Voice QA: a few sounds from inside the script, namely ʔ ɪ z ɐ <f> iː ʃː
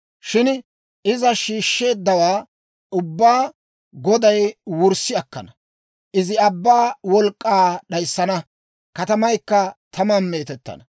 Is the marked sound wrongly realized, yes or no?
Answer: yes